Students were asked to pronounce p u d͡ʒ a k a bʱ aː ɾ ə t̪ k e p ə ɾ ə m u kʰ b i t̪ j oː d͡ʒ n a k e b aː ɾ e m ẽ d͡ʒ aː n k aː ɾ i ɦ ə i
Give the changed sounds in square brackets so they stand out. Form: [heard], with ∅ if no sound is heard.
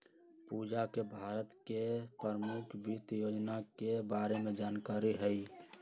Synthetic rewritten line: p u d͡ʒ a k [e] bʱ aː ɾ ə t̪ k e p ə ɾ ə m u kʰ b i t̪ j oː d͡ʒ n a k e b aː ɾ e m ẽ d͡ʒ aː n k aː ɾ i ɦ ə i